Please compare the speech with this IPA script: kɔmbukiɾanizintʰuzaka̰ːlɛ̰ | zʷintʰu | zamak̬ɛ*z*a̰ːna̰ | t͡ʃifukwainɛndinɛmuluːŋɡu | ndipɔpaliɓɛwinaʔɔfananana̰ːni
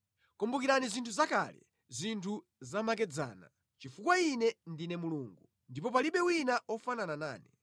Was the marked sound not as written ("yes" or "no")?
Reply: yes